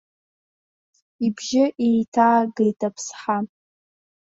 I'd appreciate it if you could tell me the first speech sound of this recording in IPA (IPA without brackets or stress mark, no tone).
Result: i